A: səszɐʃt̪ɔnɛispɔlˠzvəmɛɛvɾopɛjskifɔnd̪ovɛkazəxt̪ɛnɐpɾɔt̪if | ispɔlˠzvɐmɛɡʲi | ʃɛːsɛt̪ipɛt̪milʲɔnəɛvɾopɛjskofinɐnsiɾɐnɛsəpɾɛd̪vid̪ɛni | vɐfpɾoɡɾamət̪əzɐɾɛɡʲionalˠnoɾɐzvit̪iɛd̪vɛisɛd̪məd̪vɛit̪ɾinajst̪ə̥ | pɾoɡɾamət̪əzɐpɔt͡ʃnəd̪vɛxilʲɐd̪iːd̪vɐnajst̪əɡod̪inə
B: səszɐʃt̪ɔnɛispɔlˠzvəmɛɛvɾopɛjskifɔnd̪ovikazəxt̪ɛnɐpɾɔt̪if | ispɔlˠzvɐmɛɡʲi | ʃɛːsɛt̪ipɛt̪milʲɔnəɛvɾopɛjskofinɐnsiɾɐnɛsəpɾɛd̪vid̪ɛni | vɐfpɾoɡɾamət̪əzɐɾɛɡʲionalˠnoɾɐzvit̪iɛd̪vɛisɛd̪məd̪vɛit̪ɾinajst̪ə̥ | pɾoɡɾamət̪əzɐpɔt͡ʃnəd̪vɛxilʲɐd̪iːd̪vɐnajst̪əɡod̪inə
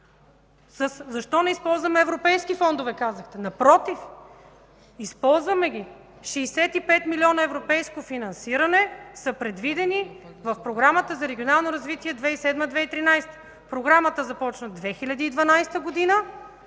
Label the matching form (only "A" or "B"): A